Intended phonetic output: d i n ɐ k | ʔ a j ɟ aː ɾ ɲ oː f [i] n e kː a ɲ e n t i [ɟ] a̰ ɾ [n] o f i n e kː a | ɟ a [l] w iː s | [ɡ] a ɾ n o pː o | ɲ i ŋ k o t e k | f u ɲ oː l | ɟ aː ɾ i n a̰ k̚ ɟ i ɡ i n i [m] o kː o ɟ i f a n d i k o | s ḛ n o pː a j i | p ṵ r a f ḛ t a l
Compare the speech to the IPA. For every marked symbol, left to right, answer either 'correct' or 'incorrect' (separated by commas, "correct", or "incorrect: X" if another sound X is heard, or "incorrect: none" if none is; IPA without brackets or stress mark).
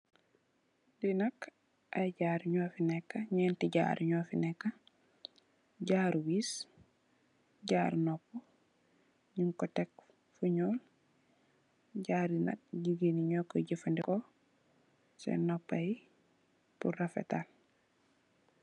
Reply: correct, correct, incorrect: ɲ, incorrect: ɾ, incorrect: ɟ, incorrect: ɲ